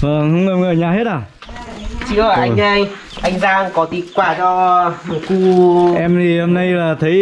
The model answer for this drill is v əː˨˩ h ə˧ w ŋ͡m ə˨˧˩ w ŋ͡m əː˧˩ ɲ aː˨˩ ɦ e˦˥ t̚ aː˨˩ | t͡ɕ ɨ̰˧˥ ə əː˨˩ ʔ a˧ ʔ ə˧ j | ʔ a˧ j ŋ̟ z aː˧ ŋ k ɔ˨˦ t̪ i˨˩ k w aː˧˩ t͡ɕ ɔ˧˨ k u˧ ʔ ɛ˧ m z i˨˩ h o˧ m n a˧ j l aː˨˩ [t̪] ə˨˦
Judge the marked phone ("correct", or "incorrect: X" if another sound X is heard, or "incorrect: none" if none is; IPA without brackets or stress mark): incorrect: t̪ʰ